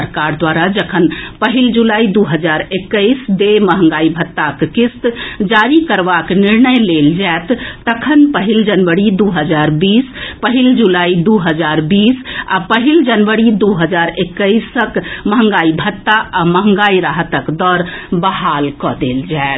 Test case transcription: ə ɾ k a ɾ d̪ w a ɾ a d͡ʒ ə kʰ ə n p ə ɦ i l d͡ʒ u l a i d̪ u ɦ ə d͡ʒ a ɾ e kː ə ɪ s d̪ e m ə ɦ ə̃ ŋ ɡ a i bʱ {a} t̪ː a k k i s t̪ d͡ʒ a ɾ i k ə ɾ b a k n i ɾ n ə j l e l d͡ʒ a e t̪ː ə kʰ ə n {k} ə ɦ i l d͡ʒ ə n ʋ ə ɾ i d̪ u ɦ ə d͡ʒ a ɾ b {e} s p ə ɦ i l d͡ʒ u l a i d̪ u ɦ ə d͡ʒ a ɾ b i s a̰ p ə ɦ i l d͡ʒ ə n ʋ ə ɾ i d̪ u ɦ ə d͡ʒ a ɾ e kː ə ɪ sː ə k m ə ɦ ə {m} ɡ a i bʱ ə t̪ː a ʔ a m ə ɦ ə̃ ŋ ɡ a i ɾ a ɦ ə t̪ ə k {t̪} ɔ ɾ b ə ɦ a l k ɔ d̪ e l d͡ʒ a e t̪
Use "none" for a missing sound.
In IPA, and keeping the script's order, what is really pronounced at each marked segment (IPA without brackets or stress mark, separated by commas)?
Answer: ə, p, i, ŋ, d̪